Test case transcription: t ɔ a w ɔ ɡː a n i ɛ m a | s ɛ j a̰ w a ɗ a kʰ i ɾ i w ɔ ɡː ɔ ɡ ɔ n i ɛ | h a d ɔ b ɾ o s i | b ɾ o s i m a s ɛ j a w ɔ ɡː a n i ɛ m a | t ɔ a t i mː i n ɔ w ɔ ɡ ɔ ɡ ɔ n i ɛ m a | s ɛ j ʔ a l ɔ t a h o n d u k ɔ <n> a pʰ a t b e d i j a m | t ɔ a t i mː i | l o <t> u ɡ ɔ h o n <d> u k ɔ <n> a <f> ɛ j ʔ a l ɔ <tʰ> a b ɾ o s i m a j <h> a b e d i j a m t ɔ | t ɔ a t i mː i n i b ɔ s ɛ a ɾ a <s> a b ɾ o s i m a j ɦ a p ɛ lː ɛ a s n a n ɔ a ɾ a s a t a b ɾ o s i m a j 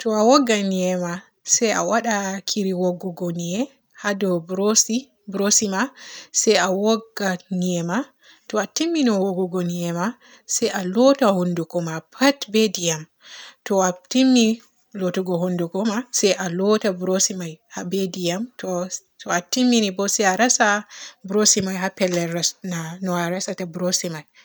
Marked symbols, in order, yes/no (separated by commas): no, yes, yes, no, no, no, yes, yes